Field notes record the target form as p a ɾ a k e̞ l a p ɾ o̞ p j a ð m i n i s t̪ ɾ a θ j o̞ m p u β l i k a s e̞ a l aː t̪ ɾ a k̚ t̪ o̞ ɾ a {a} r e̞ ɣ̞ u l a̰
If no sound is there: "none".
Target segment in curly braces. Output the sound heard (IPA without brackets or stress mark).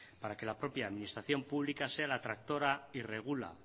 i